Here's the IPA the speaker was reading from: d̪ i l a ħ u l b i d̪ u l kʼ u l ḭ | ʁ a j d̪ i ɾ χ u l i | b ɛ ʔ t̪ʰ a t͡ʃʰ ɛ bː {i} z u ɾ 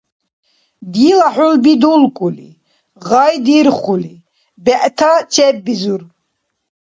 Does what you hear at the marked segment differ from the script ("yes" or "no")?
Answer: no